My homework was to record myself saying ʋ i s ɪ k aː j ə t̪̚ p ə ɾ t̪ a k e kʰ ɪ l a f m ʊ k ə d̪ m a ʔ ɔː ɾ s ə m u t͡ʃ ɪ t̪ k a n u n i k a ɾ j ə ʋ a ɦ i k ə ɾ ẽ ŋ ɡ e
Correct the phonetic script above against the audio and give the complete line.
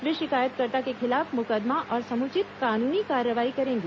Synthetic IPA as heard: ʋ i ʃ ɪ k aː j ə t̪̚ k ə ɾ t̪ a k e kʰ ɪ l a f m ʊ k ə d̪ m a ʔ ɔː ɾ s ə m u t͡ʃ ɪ t̪ k a n u n i k a ɾ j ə ʋ a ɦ i k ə ɾ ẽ ŋ ɡ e